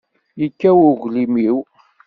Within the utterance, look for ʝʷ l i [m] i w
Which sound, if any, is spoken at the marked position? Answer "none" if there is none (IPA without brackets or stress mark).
m